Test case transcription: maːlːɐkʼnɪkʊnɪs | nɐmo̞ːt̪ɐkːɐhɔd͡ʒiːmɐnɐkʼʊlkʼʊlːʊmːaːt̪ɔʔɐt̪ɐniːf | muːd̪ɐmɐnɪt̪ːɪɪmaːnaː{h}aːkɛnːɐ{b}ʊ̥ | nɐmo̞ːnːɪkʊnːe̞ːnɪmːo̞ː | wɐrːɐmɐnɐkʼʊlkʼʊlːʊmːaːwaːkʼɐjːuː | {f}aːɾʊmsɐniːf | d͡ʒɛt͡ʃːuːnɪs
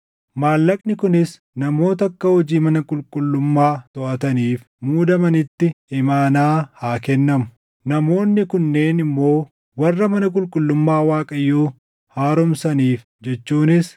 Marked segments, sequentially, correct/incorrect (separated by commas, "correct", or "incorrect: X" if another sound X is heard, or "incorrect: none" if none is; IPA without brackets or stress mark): correct, incorrect: m, incorrect: h